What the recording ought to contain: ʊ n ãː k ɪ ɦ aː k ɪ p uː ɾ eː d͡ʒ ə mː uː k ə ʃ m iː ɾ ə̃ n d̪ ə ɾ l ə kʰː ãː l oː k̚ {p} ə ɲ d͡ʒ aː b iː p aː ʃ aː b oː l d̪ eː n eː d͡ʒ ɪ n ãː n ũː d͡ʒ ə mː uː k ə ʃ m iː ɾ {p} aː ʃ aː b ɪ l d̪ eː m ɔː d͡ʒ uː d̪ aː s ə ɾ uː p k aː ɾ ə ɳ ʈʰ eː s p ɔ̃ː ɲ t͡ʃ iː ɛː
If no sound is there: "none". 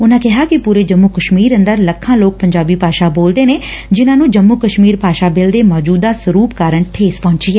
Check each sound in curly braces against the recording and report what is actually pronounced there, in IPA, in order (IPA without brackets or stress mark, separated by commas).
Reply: p, p